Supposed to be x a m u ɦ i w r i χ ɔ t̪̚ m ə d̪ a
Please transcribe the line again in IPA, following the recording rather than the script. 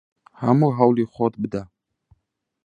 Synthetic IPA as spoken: h a m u ɦ a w l i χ ɔ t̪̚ b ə d̪ a